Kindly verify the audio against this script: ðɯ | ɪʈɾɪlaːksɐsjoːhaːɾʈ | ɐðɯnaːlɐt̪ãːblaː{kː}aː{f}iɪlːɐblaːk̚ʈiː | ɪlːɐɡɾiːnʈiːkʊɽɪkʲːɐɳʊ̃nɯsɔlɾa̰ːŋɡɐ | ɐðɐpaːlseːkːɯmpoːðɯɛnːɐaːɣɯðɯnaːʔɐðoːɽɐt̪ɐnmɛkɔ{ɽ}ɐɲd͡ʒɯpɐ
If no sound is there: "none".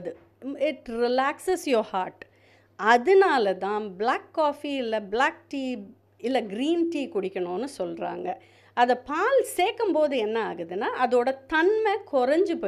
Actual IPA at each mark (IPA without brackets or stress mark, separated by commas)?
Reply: kː, f, ɾ